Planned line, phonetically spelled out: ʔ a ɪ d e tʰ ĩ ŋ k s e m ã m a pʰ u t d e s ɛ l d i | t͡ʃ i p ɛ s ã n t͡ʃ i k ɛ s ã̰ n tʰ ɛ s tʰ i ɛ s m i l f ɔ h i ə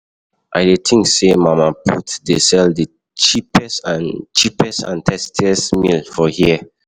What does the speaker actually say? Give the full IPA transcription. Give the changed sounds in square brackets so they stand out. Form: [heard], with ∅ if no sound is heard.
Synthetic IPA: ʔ a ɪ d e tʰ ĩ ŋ k s e m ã m a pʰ u t d e s ɛ l d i | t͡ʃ i p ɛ s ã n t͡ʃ i [p] ɛ s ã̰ n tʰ ɛ s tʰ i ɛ s m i l f ɔ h i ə